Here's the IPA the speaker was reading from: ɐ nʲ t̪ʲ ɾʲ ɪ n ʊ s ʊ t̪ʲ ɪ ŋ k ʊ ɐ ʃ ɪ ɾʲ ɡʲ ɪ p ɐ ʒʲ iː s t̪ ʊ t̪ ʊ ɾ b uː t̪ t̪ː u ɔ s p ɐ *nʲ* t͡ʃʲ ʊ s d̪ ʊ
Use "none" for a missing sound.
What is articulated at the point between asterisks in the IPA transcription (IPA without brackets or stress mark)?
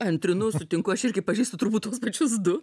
none